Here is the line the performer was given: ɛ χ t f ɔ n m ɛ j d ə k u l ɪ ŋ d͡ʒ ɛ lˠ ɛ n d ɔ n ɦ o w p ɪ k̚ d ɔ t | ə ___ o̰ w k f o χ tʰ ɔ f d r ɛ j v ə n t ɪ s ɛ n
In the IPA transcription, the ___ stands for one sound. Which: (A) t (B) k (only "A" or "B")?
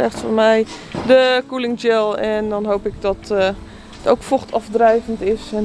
A